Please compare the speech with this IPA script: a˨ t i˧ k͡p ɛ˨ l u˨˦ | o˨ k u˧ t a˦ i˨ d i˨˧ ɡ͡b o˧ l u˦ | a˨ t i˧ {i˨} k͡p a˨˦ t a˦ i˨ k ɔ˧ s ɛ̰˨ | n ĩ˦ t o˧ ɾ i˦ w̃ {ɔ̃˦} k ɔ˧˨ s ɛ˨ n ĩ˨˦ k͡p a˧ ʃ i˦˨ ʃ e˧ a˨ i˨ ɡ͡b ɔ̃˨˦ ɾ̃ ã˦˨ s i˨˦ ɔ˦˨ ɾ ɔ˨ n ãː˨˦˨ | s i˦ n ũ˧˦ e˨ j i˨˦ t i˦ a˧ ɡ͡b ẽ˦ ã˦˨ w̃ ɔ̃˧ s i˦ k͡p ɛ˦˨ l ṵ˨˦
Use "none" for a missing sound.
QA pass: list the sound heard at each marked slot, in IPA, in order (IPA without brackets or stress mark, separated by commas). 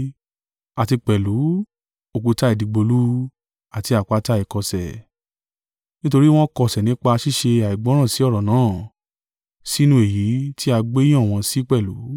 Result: a˨, ɔ̃˦